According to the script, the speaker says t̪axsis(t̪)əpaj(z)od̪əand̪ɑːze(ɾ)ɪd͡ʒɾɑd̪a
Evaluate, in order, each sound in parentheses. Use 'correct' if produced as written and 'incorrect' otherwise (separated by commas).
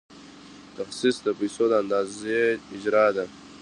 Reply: incorrect, incorrect, incorrect